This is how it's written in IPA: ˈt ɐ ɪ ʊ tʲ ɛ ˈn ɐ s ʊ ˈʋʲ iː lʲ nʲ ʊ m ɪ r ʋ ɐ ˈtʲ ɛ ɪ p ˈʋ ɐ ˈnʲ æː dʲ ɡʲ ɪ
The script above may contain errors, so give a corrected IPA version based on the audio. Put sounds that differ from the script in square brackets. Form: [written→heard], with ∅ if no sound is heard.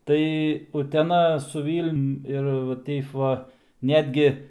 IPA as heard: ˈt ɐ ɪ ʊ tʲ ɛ ˈn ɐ s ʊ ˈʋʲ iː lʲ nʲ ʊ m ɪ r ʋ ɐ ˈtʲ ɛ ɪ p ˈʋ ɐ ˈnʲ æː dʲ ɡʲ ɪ